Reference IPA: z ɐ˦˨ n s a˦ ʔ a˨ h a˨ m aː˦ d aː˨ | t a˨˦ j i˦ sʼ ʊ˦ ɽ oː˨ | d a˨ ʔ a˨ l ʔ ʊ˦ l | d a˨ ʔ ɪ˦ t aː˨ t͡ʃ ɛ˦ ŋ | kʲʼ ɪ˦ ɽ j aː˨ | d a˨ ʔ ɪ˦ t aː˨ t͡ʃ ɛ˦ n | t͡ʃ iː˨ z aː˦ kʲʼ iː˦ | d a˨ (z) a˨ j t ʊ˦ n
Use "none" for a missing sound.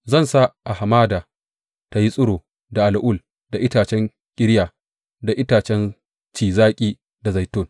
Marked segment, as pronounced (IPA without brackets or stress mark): z